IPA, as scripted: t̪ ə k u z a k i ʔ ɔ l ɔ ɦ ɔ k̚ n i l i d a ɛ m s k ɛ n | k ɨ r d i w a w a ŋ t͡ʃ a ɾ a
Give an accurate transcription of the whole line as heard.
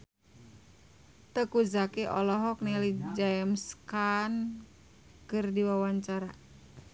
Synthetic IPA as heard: t̪ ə k u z a k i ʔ ɔ l ɔ ɦ ɔ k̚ n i l i d͡ʒ a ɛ m s k a n | k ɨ r d i w a w a ɲ t͡ʃ a ɾ a